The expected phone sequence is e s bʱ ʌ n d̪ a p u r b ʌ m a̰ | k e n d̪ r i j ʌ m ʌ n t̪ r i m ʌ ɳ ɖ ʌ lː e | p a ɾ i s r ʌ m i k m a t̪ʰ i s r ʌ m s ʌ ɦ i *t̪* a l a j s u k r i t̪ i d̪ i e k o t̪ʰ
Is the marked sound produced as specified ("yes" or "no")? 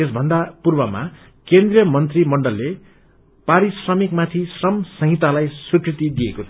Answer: yes